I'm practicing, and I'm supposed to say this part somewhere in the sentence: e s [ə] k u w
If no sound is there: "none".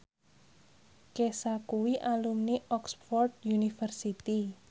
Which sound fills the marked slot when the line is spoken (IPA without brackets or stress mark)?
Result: a